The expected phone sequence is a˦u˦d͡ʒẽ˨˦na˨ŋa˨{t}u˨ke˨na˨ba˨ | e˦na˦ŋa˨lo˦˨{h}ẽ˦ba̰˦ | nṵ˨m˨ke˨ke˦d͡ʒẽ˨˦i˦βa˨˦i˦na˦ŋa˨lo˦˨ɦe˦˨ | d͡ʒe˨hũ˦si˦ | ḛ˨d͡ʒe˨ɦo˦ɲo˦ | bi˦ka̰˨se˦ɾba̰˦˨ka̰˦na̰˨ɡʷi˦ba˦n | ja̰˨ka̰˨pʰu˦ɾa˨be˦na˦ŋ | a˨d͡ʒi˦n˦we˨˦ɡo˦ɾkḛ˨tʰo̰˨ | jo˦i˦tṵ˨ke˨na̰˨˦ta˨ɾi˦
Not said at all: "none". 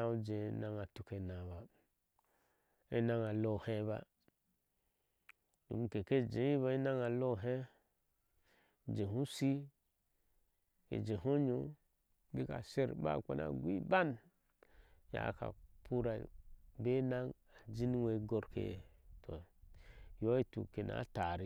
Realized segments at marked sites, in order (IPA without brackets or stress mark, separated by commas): t, h